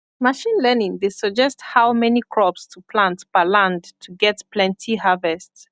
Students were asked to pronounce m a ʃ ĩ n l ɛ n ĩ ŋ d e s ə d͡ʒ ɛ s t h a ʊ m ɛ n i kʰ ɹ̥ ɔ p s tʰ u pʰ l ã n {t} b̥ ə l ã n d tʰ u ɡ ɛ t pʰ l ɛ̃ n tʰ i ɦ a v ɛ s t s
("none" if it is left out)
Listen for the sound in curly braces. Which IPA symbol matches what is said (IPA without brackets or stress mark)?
t